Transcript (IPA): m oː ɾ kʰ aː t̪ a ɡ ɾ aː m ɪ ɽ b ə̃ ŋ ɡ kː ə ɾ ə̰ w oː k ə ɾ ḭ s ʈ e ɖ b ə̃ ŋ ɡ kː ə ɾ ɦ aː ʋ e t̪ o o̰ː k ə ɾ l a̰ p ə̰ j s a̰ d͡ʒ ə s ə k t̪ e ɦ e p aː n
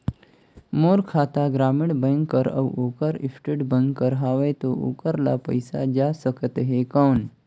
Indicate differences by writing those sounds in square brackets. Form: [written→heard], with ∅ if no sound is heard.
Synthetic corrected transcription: m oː ɾ kʰ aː t̪ a ɡ ɾ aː m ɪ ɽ b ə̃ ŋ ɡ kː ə ɾ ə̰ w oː k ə ɾ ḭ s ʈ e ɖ b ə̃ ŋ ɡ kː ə ɾ ɦ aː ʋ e t̪ o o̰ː k ə ɾ l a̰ p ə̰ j s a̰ d͡ʒ [ə→a] s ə k t̪ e ɦ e [p→k] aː n